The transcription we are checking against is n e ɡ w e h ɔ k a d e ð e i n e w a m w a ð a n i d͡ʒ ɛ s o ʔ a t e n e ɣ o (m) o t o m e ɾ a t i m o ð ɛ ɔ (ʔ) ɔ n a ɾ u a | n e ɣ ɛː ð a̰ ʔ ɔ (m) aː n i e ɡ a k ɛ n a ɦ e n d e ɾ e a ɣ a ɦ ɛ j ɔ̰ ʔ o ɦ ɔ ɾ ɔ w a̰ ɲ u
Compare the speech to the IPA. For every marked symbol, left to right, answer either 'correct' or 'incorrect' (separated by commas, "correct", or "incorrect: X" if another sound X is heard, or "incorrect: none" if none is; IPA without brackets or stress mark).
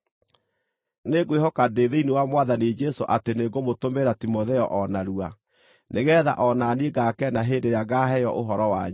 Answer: correct, correct, incorrect: n